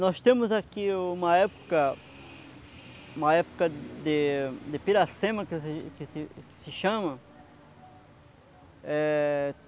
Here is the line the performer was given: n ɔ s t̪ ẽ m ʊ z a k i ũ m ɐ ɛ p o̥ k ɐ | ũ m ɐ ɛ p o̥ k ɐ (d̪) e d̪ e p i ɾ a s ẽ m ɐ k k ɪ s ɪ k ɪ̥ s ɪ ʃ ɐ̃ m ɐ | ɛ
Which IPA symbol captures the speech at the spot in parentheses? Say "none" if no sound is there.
d̪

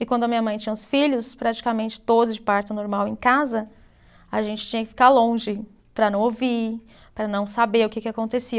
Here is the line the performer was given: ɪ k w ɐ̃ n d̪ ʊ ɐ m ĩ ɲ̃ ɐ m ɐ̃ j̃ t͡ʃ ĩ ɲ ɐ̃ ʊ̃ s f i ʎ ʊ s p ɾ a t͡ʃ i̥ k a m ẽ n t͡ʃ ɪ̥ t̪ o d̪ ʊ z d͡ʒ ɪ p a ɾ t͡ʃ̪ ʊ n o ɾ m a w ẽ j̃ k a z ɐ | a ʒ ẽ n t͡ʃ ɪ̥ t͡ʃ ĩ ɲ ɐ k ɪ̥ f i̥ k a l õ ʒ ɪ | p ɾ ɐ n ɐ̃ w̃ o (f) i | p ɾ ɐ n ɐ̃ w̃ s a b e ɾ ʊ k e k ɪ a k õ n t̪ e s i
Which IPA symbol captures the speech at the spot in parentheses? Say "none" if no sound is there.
v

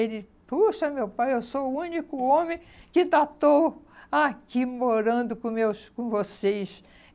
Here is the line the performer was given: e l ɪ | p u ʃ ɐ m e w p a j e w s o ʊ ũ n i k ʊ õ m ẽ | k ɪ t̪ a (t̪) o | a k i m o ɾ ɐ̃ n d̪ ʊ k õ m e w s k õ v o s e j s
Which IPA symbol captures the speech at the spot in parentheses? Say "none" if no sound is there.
t̪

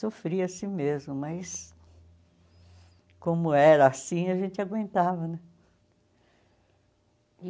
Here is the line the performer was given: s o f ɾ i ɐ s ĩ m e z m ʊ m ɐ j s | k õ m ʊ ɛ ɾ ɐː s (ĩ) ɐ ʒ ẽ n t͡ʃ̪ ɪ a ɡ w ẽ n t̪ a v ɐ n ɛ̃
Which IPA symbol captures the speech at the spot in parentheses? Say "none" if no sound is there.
ĩ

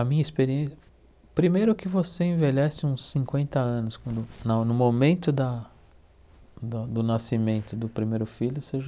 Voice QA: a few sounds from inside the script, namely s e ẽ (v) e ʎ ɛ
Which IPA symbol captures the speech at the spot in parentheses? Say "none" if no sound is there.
v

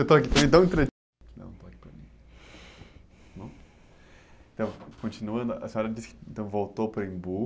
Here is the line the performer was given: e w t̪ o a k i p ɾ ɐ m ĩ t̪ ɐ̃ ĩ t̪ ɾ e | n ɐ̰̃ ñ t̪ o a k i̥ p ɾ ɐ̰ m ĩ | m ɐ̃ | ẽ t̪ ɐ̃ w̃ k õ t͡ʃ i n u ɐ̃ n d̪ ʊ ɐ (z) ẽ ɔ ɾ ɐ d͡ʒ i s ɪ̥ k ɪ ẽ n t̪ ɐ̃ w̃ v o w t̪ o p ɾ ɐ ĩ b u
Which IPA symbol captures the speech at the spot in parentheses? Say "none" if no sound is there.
s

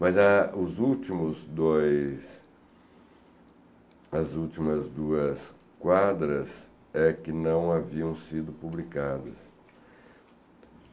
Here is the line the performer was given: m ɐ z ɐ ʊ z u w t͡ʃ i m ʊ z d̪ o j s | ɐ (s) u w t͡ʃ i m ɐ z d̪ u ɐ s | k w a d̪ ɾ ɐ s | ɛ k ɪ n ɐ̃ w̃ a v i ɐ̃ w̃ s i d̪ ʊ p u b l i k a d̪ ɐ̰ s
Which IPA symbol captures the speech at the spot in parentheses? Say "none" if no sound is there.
z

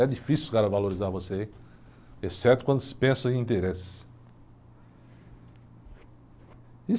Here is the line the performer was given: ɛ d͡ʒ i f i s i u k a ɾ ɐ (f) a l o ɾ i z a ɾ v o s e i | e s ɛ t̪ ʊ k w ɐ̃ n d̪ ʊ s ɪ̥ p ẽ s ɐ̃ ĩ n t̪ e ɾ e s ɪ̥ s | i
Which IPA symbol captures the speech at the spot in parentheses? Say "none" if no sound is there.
v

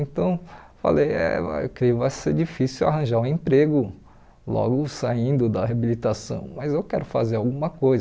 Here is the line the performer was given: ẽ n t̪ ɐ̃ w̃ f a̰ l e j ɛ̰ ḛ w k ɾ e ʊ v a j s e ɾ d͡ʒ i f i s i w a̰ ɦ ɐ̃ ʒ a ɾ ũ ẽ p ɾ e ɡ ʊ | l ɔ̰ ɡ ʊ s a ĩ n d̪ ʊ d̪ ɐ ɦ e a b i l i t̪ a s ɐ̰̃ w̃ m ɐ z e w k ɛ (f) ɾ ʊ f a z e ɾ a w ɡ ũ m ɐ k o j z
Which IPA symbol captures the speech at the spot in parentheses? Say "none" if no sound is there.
none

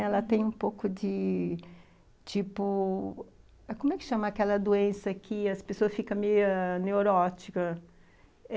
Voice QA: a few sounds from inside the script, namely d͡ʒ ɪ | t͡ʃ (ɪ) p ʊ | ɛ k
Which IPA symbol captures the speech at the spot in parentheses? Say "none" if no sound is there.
i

